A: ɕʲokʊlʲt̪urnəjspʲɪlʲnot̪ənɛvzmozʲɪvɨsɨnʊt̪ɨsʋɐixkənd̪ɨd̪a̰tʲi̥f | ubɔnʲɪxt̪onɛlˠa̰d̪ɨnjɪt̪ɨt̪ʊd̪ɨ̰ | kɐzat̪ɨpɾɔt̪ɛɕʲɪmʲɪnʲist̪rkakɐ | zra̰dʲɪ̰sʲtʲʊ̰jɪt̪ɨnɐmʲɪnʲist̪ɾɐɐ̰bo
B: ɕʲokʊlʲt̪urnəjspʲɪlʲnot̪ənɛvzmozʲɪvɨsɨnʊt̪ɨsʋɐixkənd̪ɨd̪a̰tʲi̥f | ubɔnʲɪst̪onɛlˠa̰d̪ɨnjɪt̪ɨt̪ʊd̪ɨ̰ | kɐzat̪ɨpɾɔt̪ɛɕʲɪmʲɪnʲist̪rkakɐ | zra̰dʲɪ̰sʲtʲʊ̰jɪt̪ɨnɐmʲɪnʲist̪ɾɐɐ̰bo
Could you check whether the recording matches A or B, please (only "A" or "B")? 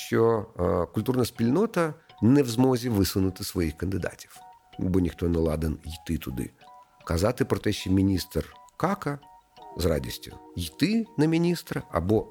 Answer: A